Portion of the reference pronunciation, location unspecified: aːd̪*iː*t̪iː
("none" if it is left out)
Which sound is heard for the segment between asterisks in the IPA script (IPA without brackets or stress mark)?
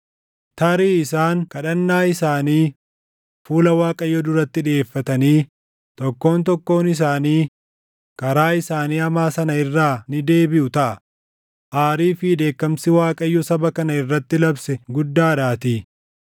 aː